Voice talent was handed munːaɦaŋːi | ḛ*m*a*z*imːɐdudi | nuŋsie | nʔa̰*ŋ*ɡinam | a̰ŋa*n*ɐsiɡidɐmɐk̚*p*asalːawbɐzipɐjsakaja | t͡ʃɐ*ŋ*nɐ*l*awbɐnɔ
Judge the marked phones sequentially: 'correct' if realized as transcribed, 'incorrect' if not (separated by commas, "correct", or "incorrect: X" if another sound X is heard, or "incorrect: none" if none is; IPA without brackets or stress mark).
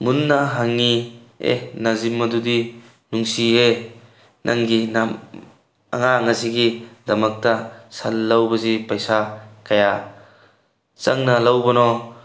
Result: incorrect: n, correct, correct, incorrect: ŋ, incorrect: t, correct, correct